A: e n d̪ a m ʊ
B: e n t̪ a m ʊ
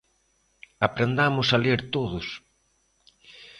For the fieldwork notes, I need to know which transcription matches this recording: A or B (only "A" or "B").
A